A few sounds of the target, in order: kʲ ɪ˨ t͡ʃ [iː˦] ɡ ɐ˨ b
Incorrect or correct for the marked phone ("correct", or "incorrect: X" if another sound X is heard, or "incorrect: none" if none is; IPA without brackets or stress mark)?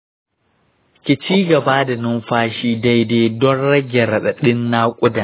correct